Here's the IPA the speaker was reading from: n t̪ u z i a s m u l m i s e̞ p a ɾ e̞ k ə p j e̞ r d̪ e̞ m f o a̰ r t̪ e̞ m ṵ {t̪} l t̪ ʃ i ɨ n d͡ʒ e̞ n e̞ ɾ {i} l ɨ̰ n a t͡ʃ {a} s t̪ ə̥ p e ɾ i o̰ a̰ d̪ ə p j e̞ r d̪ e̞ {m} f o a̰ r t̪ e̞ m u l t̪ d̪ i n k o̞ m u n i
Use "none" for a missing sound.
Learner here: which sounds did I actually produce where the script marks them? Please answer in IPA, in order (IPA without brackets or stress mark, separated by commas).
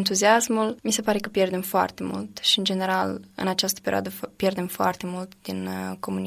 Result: none, a, a, m